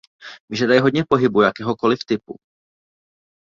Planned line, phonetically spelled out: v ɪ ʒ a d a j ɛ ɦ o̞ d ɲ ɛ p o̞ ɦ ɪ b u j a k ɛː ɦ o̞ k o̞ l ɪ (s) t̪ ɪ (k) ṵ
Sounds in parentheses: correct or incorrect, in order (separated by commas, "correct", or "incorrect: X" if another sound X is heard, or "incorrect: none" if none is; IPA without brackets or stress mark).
incorrect: f, incorrect: p